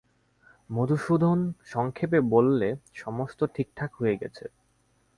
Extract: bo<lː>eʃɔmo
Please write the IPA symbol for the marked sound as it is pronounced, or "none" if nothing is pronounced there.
lː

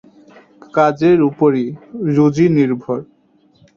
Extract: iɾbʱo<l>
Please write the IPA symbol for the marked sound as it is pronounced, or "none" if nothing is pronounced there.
ɾ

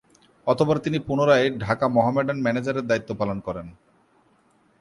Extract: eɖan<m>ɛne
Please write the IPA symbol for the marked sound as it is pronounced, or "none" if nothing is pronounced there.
m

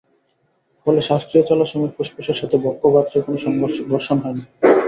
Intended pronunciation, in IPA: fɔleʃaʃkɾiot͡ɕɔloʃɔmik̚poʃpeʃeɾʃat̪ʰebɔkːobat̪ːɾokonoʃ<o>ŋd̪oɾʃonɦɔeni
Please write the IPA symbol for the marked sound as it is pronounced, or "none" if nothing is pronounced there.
ɔ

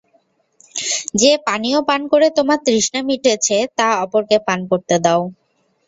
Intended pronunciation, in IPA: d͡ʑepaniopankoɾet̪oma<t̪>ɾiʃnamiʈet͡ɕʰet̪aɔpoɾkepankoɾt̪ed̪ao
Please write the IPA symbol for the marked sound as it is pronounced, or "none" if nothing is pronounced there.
t̪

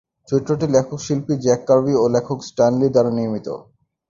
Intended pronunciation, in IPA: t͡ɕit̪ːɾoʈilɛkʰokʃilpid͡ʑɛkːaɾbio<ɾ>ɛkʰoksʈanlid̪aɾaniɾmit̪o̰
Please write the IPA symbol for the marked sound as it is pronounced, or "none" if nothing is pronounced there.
l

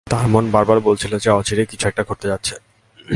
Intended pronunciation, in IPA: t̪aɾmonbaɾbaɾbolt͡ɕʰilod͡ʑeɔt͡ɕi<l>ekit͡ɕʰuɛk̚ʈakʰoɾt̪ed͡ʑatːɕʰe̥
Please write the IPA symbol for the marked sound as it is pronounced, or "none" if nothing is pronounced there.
ɾ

